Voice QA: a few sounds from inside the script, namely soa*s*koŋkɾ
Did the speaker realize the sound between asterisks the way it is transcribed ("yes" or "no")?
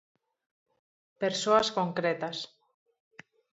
yes